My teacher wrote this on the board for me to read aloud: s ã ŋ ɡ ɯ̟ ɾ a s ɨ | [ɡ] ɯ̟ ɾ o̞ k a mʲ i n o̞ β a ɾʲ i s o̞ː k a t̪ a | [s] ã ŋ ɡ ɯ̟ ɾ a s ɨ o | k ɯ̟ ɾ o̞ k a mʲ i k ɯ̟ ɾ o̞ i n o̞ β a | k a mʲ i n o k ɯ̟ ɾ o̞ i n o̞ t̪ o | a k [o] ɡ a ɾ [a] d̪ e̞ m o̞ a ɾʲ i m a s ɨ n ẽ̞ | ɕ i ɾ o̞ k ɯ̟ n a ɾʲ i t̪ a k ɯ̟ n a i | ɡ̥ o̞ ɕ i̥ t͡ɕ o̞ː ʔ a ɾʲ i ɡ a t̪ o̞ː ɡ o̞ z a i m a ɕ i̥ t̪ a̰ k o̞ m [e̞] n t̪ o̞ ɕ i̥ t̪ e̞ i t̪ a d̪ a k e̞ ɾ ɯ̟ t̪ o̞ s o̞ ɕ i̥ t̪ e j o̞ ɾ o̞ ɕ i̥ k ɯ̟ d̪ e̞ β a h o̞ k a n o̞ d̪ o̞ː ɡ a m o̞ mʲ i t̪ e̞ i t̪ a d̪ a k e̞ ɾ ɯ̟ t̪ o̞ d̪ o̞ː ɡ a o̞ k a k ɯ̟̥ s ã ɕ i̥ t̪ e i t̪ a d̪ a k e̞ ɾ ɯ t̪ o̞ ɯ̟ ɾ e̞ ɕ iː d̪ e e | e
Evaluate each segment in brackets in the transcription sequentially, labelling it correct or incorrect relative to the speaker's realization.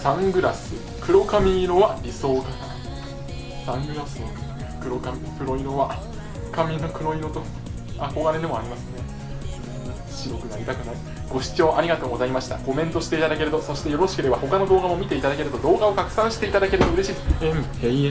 incorrect: k, correct, correct, incorrect: e, incorrect: ẽ̞

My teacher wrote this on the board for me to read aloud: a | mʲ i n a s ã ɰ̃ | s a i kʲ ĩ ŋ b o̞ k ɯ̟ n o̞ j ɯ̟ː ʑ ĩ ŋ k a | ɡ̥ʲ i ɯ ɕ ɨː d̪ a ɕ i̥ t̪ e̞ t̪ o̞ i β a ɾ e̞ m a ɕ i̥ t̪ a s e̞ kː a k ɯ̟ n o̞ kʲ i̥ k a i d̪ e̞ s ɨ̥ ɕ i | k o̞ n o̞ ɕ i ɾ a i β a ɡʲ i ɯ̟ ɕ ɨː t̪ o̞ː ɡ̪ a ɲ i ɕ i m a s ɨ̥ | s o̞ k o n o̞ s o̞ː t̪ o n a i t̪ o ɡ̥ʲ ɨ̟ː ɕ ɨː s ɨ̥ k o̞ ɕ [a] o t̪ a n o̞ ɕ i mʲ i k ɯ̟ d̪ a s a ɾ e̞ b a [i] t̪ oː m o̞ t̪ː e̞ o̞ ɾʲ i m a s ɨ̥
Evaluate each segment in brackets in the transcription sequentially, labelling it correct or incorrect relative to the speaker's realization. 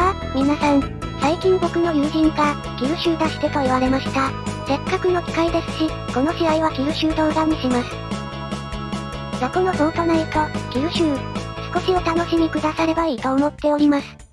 incorrect: i, incorrect: iː

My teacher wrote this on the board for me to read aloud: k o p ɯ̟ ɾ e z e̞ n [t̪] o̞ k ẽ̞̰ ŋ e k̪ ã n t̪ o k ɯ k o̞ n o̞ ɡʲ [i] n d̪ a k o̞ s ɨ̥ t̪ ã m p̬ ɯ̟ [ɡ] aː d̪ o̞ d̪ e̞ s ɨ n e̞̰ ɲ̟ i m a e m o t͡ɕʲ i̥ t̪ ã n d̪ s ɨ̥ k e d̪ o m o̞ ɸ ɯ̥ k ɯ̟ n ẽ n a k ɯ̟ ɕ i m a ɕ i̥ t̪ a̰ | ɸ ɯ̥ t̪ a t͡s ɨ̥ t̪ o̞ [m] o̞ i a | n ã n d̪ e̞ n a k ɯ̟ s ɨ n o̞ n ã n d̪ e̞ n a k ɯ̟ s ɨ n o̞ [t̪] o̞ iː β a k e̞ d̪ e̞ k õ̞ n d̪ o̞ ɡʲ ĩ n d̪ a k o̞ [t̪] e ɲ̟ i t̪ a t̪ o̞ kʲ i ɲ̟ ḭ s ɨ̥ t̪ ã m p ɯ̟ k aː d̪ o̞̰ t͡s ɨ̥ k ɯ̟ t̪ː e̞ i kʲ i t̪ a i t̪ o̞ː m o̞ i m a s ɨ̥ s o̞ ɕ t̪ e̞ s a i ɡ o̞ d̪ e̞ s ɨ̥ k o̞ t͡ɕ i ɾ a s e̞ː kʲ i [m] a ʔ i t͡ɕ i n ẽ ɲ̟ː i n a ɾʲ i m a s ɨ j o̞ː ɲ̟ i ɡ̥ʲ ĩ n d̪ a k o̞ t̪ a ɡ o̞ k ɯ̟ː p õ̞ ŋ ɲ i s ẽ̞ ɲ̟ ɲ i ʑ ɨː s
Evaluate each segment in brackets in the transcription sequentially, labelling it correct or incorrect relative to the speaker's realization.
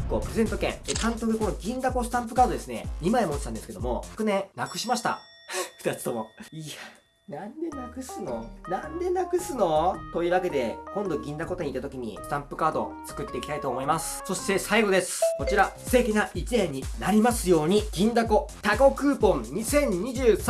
correct, incorrect: ĩ, incorrect: k, correct, correct, correct, incorrect: n

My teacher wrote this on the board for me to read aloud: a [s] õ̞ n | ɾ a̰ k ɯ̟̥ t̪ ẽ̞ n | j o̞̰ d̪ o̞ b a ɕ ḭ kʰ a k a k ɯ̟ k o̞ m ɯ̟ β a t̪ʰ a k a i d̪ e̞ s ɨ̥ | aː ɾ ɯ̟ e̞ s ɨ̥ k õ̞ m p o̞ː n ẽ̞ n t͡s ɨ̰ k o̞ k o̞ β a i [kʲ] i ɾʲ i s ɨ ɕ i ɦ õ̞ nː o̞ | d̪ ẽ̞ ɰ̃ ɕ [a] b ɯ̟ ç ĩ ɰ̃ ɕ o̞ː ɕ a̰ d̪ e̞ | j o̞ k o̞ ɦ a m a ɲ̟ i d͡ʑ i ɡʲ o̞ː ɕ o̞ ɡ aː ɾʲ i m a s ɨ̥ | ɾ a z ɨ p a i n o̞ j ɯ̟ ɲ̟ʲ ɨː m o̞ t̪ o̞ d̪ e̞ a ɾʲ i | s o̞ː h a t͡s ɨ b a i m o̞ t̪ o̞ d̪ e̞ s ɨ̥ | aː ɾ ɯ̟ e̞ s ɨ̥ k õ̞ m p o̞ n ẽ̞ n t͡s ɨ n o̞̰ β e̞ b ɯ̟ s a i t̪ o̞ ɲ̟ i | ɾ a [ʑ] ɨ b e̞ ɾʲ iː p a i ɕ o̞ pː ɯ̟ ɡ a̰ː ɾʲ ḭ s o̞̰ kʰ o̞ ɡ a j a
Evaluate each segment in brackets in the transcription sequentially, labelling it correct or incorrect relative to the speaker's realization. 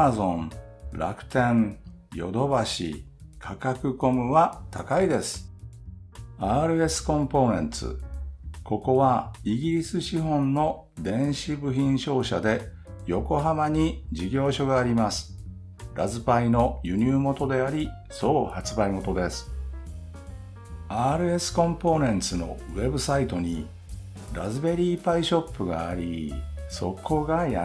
incorrect: z, incorrect: ɡʲ, incorrect: i, incorrect: z

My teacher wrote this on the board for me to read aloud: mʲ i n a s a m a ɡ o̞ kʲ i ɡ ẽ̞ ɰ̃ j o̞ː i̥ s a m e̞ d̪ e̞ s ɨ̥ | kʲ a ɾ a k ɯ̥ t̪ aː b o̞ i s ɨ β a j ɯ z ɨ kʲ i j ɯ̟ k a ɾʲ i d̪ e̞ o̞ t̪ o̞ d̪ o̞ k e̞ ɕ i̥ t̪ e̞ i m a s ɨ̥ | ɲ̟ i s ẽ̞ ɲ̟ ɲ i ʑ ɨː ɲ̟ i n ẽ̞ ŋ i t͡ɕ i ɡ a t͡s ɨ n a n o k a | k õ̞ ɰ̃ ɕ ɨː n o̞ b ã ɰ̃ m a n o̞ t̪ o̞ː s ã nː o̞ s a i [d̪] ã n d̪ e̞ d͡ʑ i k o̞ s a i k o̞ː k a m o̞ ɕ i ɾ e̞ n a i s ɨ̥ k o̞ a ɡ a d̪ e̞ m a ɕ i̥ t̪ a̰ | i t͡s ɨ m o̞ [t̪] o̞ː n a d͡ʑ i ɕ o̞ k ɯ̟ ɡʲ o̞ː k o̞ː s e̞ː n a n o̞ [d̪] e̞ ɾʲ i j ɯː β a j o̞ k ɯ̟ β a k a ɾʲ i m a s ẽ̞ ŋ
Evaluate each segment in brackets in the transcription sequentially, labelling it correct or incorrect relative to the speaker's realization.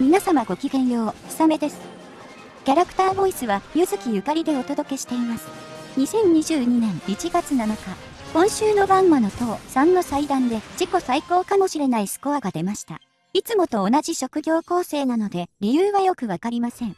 correct, correct, correct

